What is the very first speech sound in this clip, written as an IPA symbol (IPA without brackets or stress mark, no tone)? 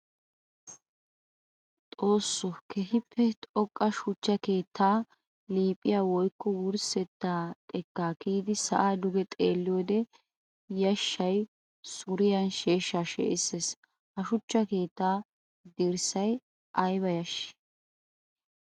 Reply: t̪ʼ